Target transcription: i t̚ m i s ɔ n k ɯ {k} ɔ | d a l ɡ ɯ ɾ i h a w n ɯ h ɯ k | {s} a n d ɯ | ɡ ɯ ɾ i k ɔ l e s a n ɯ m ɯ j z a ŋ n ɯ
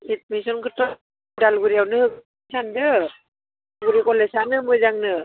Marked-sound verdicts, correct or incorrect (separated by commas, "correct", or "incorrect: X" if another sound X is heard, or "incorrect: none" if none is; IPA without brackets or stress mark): incorrect: t, correct